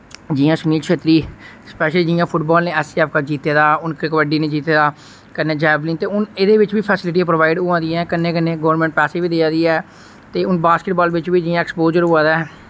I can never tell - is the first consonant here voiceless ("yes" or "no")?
no